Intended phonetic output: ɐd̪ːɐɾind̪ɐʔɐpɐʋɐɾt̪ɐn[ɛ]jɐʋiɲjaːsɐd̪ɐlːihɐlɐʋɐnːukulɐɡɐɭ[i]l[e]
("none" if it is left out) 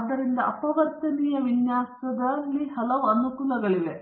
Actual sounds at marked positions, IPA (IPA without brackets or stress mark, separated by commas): i, i, e